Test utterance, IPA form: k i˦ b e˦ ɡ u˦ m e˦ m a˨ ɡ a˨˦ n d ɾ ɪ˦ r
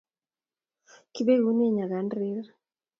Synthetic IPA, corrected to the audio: k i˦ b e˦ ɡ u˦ n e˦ ɲ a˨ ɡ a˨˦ n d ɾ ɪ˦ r